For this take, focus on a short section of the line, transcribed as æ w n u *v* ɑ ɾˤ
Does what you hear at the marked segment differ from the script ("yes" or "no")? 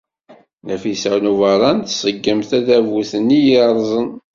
no